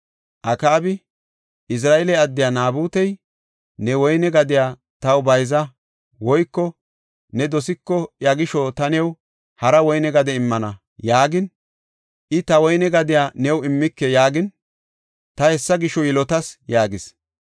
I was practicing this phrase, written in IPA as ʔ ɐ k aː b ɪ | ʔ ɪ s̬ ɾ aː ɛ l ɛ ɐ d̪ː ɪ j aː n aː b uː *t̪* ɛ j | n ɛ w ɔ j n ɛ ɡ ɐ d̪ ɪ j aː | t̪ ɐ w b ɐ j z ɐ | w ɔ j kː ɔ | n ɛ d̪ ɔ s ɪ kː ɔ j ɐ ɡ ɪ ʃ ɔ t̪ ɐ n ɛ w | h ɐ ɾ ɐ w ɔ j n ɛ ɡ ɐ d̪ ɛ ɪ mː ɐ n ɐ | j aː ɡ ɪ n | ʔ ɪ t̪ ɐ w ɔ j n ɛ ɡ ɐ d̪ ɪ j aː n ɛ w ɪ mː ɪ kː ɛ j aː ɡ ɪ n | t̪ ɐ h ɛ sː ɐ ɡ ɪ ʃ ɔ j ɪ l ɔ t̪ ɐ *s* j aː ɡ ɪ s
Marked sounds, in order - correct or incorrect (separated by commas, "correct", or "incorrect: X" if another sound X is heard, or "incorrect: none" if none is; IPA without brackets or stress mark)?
correct, correct